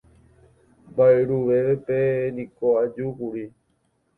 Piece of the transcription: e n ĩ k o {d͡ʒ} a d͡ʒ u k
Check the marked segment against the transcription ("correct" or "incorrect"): incorrect